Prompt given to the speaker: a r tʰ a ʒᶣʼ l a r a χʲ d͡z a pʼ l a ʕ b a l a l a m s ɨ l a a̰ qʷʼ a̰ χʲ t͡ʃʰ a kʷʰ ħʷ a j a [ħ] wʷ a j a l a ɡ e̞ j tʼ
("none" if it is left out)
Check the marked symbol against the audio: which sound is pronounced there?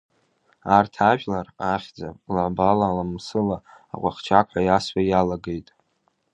s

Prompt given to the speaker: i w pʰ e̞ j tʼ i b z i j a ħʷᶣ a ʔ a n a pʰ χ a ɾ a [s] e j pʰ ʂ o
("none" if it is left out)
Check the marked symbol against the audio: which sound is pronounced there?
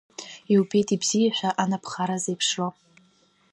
z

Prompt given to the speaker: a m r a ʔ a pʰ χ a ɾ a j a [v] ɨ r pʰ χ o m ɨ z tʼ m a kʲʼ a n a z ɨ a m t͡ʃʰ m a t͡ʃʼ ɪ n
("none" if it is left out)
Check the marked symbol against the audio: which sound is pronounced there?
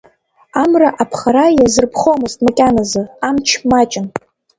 z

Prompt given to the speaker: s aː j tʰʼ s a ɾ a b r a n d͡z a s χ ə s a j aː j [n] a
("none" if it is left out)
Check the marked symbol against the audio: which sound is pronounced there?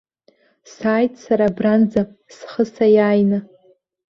n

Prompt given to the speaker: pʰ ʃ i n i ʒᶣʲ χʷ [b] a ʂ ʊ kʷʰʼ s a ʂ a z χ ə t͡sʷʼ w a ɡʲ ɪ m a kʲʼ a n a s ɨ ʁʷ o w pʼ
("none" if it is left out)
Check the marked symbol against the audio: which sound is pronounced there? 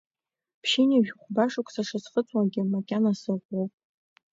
b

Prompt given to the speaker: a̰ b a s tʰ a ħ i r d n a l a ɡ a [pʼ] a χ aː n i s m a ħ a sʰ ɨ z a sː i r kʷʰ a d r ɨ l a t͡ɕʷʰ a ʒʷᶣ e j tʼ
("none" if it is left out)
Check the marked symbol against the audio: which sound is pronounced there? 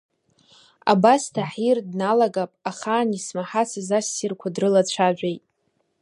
pʼ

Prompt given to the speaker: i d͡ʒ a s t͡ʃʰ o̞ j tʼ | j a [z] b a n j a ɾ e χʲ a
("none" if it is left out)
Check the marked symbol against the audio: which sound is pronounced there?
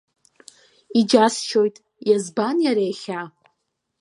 z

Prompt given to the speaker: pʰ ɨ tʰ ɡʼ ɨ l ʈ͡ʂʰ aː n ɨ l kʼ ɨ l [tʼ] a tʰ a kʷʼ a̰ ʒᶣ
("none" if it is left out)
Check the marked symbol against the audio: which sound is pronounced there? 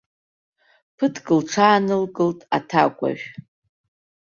tʼ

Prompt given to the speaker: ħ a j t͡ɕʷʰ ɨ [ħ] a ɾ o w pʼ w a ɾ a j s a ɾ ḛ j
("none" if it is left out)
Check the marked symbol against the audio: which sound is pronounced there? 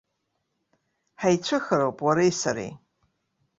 x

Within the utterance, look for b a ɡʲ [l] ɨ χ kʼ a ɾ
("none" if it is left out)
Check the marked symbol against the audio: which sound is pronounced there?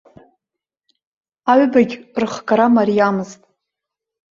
r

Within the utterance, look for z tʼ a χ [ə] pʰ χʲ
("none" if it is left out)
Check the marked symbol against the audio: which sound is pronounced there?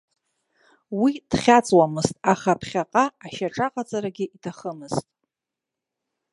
a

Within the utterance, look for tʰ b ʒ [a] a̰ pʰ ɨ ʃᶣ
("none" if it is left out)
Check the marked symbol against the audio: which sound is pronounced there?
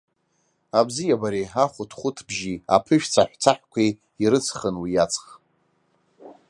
i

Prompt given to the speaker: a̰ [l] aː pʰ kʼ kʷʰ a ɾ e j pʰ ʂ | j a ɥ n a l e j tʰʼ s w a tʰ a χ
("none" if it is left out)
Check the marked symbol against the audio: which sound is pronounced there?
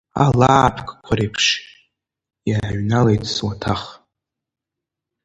l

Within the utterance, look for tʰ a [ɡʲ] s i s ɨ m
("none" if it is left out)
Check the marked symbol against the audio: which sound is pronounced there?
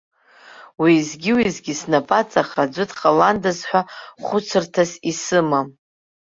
none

